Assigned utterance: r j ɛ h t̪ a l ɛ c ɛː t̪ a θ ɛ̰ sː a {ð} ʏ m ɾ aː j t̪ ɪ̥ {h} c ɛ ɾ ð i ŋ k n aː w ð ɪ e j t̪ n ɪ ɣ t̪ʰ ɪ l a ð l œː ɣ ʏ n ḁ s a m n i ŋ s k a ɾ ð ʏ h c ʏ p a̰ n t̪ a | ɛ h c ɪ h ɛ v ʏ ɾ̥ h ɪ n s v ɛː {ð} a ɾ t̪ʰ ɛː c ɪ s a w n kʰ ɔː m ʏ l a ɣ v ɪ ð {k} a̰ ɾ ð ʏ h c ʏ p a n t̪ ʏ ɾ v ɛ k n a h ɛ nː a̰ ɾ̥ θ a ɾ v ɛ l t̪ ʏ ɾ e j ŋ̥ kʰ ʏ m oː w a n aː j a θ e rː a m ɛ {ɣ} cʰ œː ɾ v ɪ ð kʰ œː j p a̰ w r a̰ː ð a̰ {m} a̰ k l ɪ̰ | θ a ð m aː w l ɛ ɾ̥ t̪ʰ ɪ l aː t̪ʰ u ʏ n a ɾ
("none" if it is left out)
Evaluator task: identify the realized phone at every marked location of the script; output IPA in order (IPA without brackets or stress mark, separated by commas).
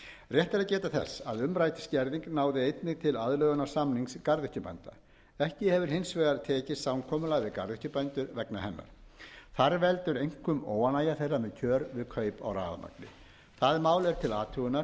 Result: ð, s, ɣ, k, ð, m